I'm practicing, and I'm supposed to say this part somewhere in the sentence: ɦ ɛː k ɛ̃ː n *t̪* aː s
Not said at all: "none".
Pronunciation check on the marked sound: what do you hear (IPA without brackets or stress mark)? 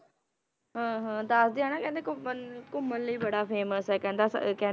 d̪